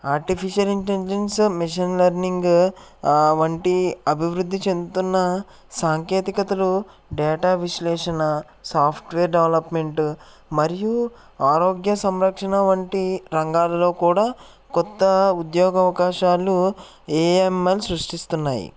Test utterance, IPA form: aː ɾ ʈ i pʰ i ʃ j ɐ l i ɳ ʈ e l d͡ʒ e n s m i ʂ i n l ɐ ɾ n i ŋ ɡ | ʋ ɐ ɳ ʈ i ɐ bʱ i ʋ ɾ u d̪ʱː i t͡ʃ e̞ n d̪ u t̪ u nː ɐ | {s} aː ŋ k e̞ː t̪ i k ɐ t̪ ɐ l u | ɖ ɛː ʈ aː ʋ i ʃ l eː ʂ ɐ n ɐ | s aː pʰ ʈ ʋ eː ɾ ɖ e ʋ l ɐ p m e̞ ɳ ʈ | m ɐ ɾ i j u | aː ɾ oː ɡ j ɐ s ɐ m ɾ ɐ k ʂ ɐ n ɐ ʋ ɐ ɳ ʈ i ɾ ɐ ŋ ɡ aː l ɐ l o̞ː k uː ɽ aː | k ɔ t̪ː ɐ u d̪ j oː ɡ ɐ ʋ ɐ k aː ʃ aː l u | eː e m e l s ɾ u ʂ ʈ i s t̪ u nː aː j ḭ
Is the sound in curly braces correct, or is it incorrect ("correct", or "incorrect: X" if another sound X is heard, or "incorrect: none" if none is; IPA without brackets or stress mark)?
correct